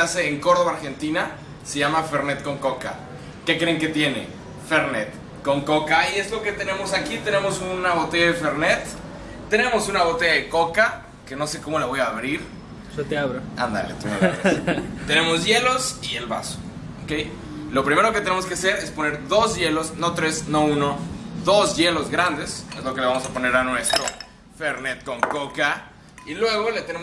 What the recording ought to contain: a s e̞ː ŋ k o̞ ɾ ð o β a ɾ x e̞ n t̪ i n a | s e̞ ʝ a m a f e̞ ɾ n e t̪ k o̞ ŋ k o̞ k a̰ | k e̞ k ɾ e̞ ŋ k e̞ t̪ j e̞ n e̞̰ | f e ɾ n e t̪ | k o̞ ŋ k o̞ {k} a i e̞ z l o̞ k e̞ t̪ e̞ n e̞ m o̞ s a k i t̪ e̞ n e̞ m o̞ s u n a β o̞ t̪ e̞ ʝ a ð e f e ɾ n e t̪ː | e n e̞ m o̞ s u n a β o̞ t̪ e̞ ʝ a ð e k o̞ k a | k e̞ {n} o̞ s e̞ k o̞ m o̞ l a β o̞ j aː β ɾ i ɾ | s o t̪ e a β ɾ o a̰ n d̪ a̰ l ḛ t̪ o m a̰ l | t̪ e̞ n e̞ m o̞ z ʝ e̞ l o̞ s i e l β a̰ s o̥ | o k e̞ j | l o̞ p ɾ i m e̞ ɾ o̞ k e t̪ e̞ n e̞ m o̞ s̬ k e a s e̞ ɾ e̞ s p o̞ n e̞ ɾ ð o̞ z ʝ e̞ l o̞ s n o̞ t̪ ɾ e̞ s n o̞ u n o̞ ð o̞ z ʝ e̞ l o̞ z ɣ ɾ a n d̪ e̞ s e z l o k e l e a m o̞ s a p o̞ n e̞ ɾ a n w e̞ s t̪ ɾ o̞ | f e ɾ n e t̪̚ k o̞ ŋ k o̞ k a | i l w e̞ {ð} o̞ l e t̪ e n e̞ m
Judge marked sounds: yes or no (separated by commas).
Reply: yes, yes, no